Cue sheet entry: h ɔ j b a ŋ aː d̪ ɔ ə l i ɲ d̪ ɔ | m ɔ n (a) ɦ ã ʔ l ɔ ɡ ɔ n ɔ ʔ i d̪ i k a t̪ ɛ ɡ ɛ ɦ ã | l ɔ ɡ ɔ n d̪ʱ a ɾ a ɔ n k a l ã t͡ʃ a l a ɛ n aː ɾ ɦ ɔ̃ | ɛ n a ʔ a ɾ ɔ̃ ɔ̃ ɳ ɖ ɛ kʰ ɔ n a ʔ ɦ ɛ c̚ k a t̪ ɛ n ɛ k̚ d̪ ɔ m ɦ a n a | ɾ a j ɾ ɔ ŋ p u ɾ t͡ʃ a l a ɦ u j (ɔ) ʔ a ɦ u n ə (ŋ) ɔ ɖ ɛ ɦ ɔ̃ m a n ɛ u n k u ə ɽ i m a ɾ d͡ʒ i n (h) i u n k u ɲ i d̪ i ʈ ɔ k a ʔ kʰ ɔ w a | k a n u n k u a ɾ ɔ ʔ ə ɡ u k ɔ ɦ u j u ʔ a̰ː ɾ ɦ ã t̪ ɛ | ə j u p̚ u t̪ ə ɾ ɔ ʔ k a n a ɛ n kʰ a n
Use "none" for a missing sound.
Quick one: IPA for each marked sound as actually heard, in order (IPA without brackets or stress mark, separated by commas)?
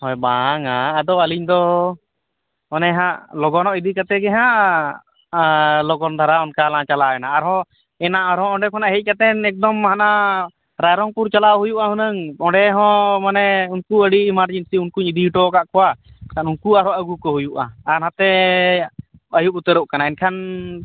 ɛ, u, ŋ, s